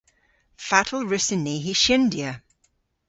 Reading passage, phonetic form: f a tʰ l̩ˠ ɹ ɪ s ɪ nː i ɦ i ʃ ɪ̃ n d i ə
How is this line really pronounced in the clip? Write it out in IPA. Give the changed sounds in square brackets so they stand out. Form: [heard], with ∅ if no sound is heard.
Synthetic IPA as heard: f a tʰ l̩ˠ ɹ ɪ s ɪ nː i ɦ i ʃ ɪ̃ n d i ə